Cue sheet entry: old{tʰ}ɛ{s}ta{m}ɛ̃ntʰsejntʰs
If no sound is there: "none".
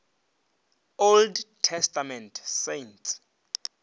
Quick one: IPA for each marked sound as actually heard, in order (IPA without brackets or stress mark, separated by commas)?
tʰ, s, m